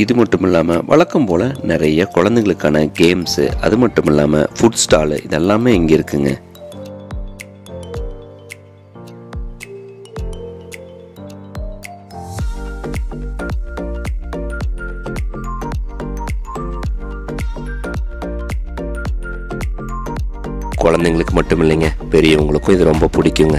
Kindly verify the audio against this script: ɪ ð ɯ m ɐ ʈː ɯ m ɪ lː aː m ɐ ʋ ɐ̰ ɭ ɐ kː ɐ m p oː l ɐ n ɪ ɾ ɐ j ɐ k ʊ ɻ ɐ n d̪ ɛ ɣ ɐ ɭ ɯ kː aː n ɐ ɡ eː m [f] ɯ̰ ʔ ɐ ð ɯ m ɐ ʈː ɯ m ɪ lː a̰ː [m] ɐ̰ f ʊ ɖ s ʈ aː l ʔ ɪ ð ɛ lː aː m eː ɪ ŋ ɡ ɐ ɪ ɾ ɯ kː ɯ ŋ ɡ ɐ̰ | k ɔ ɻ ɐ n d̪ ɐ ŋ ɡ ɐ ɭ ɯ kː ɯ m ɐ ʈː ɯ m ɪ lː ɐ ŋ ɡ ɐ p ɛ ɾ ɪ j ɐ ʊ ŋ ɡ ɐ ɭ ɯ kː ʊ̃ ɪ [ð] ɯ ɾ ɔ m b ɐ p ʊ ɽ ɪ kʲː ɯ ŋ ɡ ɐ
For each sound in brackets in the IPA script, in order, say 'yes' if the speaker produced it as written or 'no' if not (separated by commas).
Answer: no, yes, yes